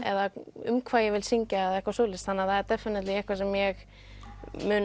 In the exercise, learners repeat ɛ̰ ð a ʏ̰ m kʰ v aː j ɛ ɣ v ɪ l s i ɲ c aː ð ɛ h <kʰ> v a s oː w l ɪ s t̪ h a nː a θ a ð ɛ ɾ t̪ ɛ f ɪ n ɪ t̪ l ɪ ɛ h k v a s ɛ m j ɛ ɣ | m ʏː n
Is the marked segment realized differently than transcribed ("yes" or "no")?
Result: yes